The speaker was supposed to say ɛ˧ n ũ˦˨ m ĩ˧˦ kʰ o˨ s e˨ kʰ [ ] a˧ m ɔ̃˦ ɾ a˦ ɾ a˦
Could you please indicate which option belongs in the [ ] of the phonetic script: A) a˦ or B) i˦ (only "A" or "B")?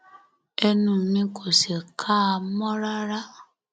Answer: A